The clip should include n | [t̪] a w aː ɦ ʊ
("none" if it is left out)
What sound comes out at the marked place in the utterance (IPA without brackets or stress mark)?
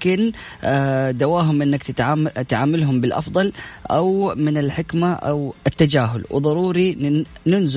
d̪